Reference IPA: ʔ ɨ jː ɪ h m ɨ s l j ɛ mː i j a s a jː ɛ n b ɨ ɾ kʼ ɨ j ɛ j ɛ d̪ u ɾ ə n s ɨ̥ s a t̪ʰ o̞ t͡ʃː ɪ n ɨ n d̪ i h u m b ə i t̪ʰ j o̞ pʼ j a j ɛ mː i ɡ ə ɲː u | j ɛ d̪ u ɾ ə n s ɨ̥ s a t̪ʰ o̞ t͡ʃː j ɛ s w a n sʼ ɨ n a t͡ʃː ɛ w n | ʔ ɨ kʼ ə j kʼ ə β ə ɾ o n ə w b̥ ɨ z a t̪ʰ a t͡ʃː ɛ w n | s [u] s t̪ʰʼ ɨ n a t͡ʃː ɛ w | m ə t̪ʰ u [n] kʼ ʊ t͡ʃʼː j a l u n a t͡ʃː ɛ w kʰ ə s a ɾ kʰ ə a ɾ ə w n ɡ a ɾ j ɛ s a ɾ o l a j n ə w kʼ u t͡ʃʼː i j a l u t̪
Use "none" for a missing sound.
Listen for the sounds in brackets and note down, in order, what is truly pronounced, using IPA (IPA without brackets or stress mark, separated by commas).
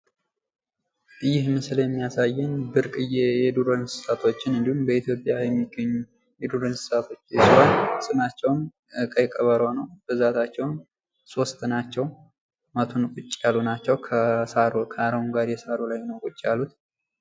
o, n